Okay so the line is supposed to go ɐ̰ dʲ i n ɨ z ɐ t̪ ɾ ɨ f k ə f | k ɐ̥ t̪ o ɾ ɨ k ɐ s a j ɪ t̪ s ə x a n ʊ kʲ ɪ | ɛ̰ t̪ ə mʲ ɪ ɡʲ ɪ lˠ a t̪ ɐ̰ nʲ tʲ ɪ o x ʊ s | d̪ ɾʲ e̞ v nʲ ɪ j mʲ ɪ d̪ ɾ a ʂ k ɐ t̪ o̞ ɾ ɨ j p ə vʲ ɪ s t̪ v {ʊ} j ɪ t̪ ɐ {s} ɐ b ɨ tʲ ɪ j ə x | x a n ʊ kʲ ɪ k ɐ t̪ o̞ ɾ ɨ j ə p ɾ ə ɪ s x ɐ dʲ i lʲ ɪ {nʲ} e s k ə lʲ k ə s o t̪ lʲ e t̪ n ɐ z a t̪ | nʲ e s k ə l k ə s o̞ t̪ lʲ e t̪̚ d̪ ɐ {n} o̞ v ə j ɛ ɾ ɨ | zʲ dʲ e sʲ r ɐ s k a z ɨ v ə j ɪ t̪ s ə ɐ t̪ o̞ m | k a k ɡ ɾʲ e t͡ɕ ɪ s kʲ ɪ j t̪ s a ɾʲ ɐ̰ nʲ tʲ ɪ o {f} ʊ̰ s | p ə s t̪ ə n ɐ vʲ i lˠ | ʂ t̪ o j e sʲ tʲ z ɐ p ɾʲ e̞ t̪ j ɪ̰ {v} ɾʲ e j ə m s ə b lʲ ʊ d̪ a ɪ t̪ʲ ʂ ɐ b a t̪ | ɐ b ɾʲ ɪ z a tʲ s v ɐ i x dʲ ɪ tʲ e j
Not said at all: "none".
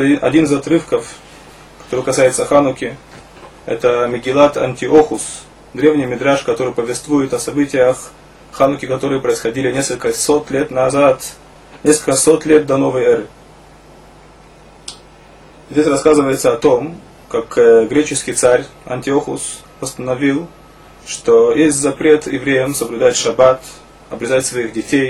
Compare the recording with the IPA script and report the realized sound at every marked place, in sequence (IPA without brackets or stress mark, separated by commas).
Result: u, s, nʲ, n, x, v